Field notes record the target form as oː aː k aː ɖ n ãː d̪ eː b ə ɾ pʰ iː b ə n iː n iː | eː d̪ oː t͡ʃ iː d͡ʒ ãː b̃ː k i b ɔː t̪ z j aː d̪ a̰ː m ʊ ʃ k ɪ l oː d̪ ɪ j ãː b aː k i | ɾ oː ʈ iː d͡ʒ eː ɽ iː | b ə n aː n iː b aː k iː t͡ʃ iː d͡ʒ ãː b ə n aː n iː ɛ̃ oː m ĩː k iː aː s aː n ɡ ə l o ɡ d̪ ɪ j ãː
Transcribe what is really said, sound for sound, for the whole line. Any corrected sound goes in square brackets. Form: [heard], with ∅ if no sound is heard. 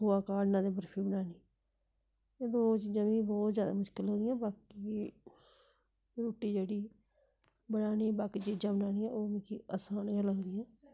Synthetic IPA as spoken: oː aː k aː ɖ n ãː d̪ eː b ə ɾ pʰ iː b ə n [aː] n iː | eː d̪ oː t͡ʃ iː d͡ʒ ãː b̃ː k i b ɔː t̪ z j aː d̪ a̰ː m ʊ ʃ k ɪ l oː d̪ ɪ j ãː b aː k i | ɾ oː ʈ iː d͡ʒ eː ɽ iː | b ə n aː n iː b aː k iː t͡ʃ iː d͡ʒ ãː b ə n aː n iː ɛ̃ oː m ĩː k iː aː s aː n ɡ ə l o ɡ d̪ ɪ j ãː